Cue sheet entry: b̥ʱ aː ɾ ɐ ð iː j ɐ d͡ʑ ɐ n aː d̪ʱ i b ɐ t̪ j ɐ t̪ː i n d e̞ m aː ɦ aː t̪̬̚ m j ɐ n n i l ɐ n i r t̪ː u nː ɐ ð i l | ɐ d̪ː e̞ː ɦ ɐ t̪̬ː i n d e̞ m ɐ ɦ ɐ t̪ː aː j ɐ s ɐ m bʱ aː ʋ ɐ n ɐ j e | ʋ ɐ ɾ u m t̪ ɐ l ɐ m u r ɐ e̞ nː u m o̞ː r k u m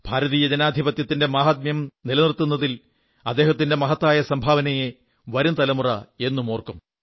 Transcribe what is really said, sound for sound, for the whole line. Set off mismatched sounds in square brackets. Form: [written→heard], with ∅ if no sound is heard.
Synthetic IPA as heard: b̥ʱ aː ɾ ɐ ð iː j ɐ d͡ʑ ɐ n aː d̪ʱ i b ɐ t̪ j ɐ t̪ː i n d e̞ m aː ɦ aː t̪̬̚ m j ɐ [n→m] n i l ɐ n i r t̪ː u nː ɐ ð i l | ɐ d̪ː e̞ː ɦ ɐ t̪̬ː i n d e̞ m ɐ ɦ ɐ t̪ː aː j ɐ s ɐ m bʱ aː ʋ ɐ n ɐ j e | ʋ ɐ ɾ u m t̪ ɐ l ɐ m u r ɐ e̞ nː u m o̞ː r k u m